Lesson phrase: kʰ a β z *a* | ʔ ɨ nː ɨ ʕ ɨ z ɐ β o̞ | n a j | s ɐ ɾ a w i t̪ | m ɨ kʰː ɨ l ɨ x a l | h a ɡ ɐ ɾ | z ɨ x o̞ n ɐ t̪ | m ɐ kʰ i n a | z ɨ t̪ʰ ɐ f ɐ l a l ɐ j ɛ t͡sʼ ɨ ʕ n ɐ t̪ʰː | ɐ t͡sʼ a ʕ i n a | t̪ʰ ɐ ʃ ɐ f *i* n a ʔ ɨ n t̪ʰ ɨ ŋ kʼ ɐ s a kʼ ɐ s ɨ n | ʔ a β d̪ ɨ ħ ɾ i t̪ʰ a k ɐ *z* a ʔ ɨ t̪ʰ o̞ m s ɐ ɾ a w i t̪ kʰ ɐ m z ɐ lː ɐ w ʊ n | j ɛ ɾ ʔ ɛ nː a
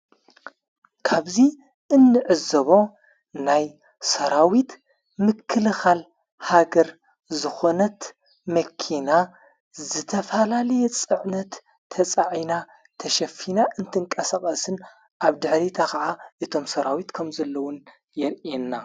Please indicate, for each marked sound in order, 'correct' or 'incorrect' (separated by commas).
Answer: incorrect, correct, incorrect